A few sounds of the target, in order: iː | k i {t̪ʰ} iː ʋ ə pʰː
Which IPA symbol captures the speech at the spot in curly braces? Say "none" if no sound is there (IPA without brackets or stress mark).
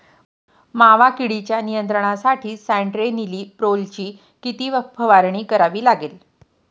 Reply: t̪